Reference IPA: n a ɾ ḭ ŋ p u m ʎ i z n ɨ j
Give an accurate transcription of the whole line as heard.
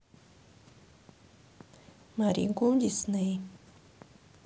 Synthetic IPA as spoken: m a ɾ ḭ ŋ k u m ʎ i s n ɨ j